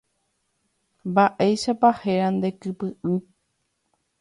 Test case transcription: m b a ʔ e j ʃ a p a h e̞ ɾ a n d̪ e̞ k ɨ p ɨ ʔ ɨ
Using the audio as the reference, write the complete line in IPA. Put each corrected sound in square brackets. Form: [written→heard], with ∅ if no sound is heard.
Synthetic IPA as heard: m b a ʔ e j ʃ a p a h e̞ ɾ a n d̪ e̞ k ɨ p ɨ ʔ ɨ